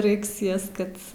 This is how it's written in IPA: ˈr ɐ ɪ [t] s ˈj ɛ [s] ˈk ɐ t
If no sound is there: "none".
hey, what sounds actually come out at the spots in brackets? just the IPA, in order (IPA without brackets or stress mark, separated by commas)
k, s